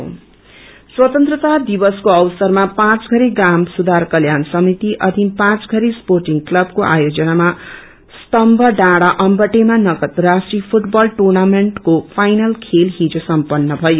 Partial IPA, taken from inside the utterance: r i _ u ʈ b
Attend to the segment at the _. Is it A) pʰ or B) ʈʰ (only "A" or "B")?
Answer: A